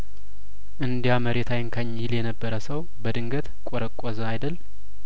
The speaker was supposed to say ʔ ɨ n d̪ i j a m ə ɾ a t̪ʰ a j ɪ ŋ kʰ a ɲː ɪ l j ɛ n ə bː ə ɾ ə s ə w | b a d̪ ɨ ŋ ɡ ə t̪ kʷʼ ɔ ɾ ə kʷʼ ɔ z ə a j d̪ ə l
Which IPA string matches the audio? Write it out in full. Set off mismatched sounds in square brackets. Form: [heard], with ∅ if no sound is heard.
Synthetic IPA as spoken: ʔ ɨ n d̪ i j a m ə ɾ [e] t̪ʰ a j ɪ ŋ kʰ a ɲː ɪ l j ɛ n ə bː ə ɾ ə s ə w | b [ə] d̪ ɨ ŋ ɡ ə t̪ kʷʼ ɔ ɾ ə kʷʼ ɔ z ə a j d̪ ə l